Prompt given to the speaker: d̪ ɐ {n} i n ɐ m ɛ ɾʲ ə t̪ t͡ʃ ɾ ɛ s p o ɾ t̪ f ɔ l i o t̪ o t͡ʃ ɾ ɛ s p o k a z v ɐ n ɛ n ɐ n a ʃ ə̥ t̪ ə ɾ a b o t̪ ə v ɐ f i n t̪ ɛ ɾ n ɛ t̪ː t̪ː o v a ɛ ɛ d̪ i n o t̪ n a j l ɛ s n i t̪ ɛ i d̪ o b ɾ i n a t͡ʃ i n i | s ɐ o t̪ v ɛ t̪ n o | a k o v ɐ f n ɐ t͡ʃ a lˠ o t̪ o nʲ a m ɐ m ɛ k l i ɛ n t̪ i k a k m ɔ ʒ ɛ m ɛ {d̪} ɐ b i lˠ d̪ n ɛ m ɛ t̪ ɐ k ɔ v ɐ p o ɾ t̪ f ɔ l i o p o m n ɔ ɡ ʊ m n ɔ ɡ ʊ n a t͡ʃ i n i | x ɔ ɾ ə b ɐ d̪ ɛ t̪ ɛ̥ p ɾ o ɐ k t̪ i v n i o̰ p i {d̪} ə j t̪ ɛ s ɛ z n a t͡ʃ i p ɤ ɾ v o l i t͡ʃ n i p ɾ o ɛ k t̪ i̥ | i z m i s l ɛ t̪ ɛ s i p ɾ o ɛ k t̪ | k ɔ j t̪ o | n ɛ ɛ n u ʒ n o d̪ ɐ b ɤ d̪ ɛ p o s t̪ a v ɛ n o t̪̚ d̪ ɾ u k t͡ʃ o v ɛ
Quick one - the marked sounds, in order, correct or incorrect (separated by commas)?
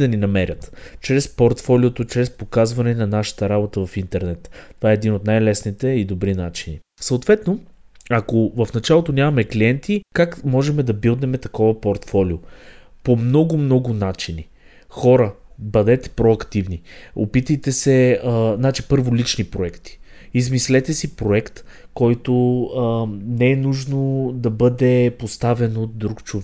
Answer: correct, correct, incorrect